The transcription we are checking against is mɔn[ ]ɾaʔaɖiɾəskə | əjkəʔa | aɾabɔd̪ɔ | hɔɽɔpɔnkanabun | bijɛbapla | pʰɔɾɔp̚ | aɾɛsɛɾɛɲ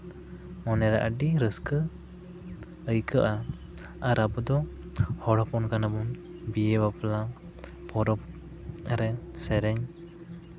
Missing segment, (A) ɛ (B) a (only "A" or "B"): A